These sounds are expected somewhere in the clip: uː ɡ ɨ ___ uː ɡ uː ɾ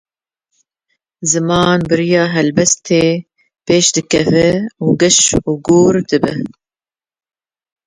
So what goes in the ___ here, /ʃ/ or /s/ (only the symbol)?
ʃ